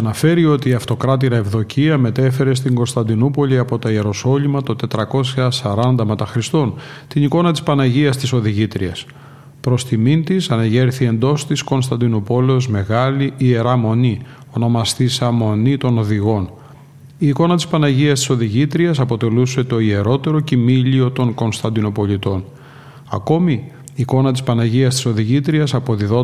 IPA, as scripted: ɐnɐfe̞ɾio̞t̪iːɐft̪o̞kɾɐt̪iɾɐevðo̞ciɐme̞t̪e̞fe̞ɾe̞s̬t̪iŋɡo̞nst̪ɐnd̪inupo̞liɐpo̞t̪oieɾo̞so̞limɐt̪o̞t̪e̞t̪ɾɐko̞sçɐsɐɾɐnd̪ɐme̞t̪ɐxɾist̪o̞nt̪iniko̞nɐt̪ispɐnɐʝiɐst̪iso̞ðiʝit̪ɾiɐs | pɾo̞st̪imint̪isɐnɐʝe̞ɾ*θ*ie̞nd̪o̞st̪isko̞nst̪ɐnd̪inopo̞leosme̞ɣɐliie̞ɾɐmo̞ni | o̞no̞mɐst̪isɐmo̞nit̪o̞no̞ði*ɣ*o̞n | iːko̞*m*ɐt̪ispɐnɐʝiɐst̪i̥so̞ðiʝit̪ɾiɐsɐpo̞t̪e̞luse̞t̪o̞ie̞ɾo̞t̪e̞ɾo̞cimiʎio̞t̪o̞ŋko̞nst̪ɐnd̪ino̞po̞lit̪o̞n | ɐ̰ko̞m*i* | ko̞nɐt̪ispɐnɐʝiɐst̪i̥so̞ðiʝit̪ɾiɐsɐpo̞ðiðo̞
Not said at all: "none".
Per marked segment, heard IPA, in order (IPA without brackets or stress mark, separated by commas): θ, ɣ, n, iː